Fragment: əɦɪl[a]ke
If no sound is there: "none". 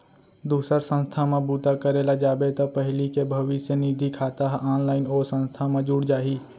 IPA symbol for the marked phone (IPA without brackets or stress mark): i